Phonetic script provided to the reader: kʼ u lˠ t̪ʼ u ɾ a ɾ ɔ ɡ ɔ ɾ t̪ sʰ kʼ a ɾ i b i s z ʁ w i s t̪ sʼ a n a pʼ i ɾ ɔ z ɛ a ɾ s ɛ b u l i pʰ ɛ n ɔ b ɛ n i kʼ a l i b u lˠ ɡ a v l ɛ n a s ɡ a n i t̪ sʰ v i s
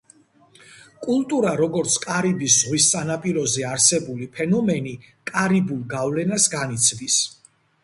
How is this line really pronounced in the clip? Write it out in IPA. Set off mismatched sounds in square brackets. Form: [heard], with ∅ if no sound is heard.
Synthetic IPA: kʼ u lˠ t̪ʼ u ɾ a ɾ ɔ ɡ ɔ ɾ t̪ sʰ kʼ a ɾ i b i s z ʁ w i s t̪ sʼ a n a pʼ i ɾ ɔ z ɛ a ɾ s ɛ b u l i pʰ ɛ n ɔ [m] ɛ n i kʼ a [ɾ] i b u lˠ ɡ a v l ɛ n a s ɡ a n i t̪ sʰ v i s